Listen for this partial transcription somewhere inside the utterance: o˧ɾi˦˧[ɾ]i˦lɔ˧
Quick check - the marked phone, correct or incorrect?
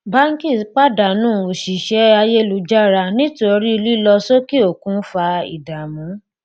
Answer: incorrect